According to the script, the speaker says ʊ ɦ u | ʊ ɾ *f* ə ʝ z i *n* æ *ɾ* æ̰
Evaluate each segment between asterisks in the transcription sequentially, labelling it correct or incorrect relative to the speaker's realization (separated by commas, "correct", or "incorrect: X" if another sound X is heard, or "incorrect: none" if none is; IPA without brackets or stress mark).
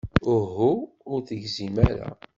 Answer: incorrect: θ, incorrect: m, correct